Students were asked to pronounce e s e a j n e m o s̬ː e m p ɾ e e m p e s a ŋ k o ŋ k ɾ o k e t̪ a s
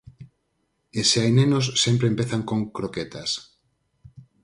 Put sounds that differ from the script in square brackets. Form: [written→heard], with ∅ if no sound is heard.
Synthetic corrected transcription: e s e a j n e [m→n] o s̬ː e m p ɾ e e m p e [s→θ] a ŋ k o ŋ k ɾ o k e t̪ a s